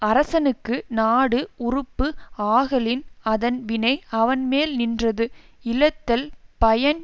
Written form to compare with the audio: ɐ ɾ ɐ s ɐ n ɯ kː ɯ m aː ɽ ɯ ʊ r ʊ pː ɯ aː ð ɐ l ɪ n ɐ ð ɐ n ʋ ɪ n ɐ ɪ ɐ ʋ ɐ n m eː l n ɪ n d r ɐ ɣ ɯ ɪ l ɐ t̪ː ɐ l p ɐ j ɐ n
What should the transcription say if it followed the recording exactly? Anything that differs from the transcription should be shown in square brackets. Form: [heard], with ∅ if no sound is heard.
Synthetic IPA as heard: ɐ ɾ ɐ s ɐ n ɯ kː ɯ [n] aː ɽ ɯ ʊ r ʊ pː ɯ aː [ɣ] ɐ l ɪ n ɐ ð ɐ n ʋ ɪ n ɐ ɪ ɐ ʋ ɐ n m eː l n ɪ n d r ɐ [ð] ɯ ɪ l ɐ t̪ː ɐ l p ɐ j ɐ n

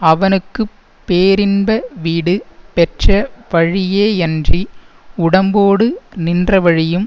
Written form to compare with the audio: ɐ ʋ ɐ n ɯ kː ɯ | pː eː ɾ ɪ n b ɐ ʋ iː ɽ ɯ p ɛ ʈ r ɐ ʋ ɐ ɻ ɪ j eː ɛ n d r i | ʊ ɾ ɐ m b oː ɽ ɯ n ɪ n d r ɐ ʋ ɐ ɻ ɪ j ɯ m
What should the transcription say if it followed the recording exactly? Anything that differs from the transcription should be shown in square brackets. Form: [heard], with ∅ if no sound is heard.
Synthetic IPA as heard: ɐ ʋ ɐ n ɯ kː ɯ | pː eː ɾ ɪ n b ɐ ʋ iː ɽ ɯ p ɛ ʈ r ɐ ʋ ɐ ɻ ɪ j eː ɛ n d r i | ʊ [ɽ] ɐ m b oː ɽ ɯ n ɪ n d r ɐ ʋ ɐ ɻ ɪ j ɯ m

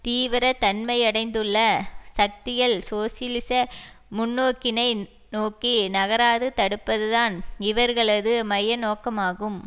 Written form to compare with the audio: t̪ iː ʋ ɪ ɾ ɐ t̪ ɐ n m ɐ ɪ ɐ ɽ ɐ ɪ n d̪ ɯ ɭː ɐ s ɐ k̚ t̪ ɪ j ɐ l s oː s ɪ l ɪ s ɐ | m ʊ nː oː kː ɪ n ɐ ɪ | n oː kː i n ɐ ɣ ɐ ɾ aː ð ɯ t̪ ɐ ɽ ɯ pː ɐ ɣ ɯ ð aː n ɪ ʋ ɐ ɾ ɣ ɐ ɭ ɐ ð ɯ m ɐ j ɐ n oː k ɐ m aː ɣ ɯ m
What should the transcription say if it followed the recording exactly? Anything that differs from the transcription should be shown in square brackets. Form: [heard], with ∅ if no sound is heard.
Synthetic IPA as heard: t̪ iː ʋ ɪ ɾ ɐ t̪ ɐ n m ɐ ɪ ɐ ɽ ɐ ɪ n d̪ ɯ ɭː ɐ s ɐ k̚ t̪ ɪ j ɐ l s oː s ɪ l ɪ s ɐ | m ʊ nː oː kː ɪ n ɐ ɪ | n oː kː i n ɐ ɣ ɐ ɾ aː ð ɯ t̪ ɐ ɽ ɯ pː ɐ [ð] ɯ ð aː n ɪ ʋ ɐ ɾ ɣ ɐ ɭ ɐ ð ɯ m ɐ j ɐ n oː k ɐ m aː ɣ ɯ m

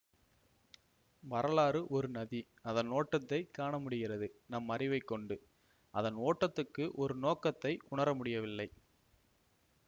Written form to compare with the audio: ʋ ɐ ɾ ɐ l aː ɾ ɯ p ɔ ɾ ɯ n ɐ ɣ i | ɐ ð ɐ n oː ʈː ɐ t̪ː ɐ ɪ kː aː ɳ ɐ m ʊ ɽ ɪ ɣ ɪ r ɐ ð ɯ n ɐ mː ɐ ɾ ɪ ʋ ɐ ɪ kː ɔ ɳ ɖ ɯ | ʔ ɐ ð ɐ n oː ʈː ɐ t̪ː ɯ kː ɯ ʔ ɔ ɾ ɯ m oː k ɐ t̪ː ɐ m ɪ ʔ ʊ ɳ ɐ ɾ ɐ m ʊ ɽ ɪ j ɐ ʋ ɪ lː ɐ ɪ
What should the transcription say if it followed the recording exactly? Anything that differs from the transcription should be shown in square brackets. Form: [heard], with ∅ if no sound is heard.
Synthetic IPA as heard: ʋ ɐ ɾ ɐ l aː ɾ ɯ [ʔ] ɔ ɾ ɯ n ɐ [ð] i | ɐ ð ɐ n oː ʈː ɐ t̪ː ɐ ɪ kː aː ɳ ɐ m ʊ ɽ ɪ ɣ ɪ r ɐ ð ɯ n ɐ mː ɐ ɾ ɪ ʋ ɐ ɪ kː ɔ ɳ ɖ ɯ | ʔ ɐ ð ɐ n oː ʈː ɐ t̪ː ɯ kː ɯ ʔ ɔ ɾ ɯ [n] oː k ɐ t̪ː ɐ [∅] ɪ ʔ ʊ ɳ ɐ ɾ ɐ m ʊ ɽ ɪ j ɐ ʋ ɪ lː ɐ ɪ

